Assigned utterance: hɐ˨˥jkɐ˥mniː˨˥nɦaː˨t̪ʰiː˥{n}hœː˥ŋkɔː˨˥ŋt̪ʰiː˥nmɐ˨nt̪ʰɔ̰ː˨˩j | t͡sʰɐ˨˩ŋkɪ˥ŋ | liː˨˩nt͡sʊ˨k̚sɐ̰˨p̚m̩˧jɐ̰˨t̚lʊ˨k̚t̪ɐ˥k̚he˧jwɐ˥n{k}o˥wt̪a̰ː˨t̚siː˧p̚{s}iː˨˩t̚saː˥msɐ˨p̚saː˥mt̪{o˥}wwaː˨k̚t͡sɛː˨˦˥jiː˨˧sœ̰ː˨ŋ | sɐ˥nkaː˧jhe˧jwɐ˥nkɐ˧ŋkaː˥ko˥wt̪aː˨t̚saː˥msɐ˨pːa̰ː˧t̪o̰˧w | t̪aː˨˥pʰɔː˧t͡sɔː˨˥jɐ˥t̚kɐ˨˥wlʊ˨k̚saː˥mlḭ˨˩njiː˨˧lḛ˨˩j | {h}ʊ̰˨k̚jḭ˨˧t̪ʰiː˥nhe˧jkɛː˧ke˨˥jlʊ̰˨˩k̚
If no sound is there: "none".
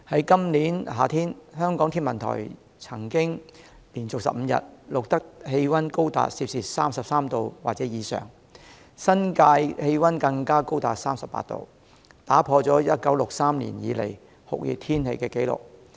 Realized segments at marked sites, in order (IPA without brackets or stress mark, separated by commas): n, k, s, o˧, h